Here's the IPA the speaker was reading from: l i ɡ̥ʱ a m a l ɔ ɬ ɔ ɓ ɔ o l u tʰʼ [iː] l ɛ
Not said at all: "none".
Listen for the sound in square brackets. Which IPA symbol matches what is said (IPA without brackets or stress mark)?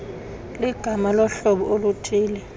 iː